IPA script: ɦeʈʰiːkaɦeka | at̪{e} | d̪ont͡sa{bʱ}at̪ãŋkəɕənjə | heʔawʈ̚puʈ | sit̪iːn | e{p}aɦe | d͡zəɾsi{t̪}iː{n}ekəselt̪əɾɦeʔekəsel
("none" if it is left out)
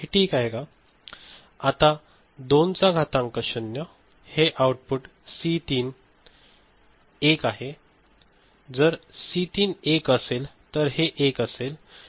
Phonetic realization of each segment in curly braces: a, ɡʱ, k, t̪, n

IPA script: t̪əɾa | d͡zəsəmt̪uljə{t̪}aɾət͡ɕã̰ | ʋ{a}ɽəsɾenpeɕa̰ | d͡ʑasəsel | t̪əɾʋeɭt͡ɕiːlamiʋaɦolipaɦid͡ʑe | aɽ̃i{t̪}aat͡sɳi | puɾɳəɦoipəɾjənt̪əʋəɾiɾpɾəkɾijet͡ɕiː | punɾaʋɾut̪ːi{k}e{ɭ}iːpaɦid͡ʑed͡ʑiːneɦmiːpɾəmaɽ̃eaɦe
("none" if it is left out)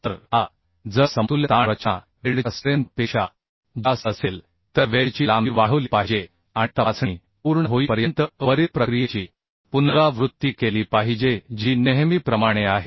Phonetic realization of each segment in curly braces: t̪, e, t̪, k, l

